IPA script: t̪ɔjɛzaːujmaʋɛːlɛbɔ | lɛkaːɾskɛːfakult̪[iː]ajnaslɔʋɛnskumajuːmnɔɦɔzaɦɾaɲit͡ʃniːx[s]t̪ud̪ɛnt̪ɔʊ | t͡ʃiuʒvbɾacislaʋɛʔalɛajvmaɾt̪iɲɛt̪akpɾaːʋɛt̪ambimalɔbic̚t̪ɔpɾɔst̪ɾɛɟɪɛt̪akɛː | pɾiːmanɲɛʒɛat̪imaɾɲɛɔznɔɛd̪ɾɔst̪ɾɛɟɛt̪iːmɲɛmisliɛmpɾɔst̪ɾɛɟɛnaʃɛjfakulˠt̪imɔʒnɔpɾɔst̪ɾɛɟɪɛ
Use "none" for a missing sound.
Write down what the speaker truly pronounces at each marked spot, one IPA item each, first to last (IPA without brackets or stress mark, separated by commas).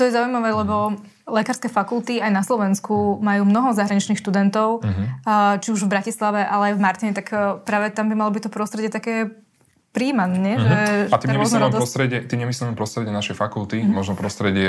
i, ʃ